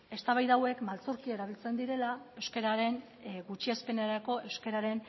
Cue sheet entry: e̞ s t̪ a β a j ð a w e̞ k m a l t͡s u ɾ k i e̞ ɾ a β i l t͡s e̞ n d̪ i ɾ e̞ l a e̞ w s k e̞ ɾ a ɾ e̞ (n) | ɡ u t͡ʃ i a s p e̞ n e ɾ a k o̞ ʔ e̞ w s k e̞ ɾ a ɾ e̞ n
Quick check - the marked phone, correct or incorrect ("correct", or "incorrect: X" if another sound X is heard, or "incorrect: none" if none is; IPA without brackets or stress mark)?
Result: correct